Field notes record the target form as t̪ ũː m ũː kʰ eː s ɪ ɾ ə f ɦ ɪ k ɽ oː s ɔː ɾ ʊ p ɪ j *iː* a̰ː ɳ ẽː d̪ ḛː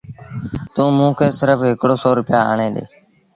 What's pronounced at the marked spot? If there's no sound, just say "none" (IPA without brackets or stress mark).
aː